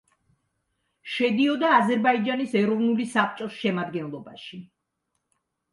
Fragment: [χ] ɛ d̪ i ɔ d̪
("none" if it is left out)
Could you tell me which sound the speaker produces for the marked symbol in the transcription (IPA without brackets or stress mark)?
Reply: ʃ